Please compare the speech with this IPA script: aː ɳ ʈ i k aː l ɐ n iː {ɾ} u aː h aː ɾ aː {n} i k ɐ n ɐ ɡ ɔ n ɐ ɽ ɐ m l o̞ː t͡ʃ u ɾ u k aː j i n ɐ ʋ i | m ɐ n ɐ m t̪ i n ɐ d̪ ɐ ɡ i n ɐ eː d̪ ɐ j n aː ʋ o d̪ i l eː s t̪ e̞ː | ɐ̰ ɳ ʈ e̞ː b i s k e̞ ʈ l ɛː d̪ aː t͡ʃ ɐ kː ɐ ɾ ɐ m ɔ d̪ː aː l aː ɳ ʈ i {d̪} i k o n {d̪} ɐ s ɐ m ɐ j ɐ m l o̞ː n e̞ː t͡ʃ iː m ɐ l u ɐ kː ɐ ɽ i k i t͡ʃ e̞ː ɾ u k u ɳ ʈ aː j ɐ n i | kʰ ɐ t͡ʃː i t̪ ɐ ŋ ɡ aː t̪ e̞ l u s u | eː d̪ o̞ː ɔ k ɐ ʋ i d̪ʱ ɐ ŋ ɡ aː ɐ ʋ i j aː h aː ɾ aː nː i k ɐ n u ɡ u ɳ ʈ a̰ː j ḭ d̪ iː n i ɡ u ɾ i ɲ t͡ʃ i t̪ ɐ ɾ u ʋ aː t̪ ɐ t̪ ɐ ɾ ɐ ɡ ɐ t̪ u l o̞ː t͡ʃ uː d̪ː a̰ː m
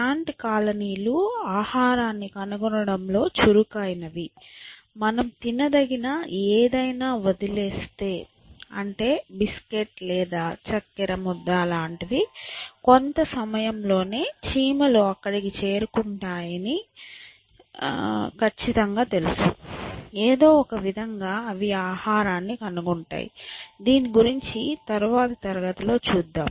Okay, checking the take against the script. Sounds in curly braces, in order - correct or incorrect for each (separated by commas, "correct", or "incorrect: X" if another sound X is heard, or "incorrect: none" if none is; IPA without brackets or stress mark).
incorrect: l, incorrect: nː, correct, incorrect: t̪